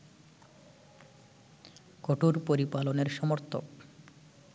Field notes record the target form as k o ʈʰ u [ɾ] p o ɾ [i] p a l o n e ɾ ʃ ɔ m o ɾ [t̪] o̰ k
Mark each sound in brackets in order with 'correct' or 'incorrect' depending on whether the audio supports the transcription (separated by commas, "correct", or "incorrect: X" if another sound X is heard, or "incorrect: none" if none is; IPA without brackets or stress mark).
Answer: correct, correct, incorrect: t̪ʰ